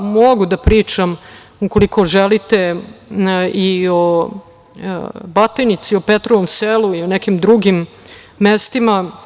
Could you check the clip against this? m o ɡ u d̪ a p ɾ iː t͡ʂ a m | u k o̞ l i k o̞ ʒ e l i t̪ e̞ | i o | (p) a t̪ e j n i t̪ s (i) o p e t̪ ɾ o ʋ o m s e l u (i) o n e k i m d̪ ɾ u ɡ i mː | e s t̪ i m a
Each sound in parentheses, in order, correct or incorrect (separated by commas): incorrect, correct, correct